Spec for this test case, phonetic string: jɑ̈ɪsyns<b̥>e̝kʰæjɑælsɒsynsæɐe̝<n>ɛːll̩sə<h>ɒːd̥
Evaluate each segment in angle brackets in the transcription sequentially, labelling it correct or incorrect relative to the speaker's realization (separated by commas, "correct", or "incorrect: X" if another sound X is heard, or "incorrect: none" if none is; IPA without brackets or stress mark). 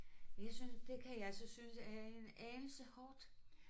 incorrect: d̥, correct, correct